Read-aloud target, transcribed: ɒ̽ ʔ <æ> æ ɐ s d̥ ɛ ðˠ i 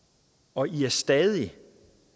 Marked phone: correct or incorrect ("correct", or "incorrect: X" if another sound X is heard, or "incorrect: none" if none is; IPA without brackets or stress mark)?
incorrect: i